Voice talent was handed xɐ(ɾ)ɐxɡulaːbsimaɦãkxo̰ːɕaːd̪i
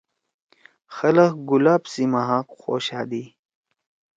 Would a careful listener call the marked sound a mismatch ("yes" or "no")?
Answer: yes